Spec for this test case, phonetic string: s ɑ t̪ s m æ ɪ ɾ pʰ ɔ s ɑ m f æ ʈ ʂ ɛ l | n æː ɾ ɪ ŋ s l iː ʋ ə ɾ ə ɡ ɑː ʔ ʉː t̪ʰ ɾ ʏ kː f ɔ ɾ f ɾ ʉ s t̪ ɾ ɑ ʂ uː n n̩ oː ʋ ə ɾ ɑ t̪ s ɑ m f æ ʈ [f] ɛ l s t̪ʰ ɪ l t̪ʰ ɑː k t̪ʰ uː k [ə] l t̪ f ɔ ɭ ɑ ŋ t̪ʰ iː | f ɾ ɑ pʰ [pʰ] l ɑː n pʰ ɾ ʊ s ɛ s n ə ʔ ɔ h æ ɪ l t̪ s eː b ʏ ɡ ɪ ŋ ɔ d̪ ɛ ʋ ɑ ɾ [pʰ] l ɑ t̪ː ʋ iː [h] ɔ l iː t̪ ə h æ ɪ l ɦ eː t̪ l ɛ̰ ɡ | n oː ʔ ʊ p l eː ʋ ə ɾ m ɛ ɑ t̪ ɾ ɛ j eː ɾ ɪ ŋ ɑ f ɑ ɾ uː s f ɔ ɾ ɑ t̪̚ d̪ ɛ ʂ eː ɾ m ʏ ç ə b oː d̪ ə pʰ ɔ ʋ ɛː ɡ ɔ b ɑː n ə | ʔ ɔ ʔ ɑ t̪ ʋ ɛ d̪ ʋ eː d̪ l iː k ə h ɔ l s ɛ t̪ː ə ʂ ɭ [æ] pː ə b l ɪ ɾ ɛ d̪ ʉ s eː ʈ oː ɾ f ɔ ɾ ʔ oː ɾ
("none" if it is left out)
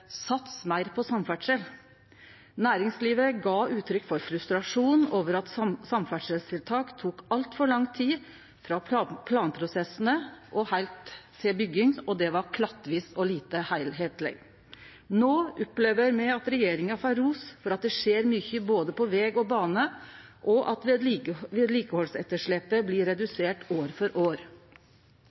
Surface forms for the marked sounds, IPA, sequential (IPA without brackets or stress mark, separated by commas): ʂ, ɑ, pʰ, kʰ, s, ɛ